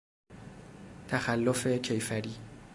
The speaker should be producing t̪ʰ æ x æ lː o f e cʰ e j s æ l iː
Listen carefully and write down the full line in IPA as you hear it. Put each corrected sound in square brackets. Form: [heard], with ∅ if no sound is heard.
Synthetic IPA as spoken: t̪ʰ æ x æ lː o f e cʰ e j [f] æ [ɾ] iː